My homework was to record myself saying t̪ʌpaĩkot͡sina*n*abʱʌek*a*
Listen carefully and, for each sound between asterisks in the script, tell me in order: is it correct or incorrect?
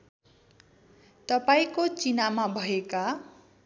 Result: incorrect: m, correct

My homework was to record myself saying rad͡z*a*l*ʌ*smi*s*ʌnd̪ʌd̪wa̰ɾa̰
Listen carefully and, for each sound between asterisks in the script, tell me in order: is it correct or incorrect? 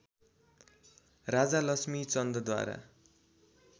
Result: correct, correct, incorrect: t͡s

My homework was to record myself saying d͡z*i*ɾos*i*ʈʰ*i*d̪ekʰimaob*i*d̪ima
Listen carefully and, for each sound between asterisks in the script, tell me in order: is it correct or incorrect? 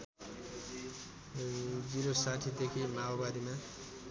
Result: correct, incorrect: a, correct, incorrect: a

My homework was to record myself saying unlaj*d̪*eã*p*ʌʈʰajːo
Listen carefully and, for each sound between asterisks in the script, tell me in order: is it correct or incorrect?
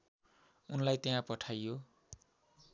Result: incorrect: t̪, correct

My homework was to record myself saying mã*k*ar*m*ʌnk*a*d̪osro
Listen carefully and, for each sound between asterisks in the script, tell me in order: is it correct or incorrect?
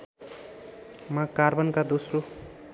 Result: correct, incorrect: b, correct

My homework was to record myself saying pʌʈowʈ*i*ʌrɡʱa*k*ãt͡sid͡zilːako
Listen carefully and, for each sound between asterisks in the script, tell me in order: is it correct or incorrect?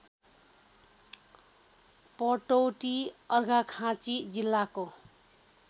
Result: correct, incorrect: kʰ

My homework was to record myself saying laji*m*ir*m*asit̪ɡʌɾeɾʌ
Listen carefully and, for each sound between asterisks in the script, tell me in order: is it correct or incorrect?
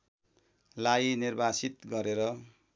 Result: incorrect: n, incorrect: b

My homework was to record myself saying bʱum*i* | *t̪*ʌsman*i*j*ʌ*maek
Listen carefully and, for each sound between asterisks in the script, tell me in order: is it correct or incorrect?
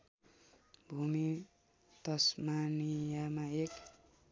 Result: correct, correct, correct, incorrect: a

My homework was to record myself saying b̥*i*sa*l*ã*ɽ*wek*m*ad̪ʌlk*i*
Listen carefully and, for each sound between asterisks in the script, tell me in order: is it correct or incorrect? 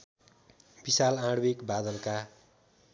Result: correct, correct, correct, incorrect: b, incorrect: a

